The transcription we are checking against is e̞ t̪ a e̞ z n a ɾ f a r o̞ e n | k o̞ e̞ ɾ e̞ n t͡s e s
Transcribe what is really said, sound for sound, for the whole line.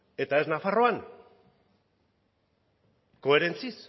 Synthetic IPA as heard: e̞ t̪ a e̞ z n a f a r o̞ a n | k o̞ e̞ ɾ e̞ n t͡s i s